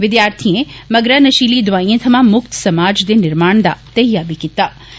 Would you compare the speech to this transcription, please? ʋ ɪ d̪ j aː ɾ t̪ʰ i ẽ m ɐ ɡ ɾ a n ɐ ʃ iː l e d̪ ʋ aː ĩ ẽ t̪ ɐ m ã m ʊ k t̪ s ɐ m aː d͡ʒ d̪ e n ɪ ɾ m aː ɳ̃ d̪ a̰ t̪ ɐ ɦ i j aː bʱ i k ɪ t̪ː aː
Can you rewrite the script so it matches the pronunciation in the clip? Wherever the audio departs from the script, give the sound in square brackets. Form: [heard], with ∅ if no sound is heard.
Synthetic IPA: ʋ ɪ d̪ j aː ɾ t̪ʰ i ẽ m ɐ ɡ ɾ a n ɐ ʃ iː l [i] d̪ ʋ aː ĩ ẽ [t̪ʰ] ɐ m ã m ʊ k t̪ s ɐ m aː d͡ʒ d̪ e n ɪ ɾ m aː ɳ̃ d̪ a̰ t̪ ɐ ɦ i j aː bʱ i k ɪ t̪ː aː